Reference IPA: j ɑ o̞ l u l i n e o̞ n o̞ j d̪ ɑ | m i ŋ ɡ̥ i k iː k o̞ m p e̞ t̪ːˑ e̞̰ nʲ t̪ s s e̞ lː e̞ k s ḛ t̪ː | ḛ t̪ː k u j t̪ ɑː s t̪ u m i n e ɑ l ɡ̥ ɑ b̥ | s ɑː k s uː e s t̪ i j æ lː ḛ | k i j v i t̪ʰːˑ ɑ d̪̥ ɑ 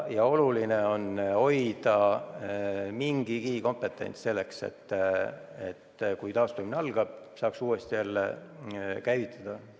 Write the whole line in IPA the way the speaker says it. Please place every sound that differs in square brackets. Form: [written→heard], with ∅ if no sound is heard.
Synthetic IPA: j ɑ o̞ l u l i n e o̞ n o̞ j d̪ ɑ | m i ŋ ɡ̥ i k iː k o̞ m p e̞ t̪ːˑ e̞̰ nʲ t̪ s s e̞ lː e̞ k s ḛ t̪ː | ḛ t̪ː k u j t̪ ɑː s t̪ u m i n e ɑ l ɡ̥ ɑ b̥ | s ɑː k s uː e s t̪ i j æ lː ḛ | k [i→æ] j v i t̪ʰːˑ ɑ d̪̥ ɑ

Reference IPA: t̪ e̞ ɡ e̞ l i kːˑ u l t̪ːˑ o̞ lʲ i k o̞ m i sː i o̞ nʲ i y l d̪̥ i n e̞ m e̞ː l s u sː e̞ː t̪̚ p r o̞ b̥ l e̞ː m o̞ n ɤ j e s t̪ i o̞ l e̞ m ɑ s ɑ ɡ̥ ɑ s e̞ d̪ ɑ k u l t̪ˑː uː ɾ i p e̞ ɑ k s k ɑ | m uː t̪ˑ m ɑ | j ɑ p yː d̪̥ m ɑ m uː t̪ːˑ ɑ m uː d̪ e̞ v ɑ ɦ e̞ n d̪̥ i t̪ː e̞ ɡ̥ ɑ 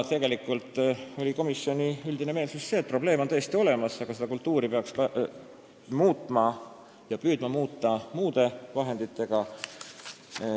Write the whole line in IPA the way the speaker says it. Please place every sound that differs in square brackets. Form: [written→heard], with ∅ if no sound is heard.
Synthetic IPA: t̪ e̞ ɡ e̞ l i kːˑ u l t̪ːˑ o̞ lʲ i k o̞ m i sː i o̞ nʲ i y l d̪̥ i n e̞ m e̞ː l s u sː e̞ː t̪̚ p r o̞ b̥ l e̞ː m o̞ n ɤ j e s t̪ i o̞ l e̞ m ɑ s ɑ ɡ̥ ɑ s e̞ d̪ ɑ k u l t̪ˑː uː ɾ i p e̞ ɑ k s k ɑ | m uː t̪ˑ m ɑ | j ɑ p yː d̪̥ m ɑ m uː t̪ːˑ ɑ m uː d̪ e̞ v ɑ ɦ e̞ n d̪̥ i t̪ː e̞ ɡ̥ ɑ

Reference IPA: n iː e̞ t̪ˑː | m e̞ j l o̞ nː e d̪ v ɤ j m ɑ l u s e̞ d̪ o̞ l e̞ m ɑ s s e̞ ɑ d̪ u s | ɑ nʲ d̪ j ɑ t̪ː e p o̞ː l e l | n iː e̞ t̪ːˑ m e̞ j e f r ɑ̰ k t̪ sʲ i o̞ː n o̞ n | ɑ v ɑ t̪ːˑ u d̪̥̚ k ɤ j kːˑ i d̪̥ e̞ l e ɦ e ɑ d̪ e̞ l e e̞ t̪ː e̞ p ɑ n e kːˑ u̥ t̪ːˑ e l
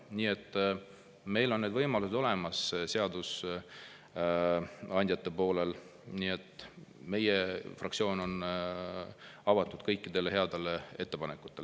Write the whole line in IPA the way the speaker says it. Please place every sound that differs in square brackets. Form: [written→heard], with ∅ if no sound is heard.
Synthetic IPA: n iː e̞ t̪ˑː | m e̞ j l o̞ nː e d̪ v ɤ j m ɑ l u s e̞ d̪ o̞ l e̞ m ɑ s s e̞ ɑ d̪ u s | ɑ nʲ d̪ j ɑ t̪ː e p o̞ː l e l | n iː e̞ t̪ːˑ m e̞ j e f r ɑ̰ k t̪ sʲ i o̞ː n o̞ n | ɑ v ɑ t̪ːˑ u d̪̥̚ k ɤ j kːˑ i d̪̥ e̞ l e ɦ e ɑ d̪ e̞ l e e̞ t̪ː e̞ p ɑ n e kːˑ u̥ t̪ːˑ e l

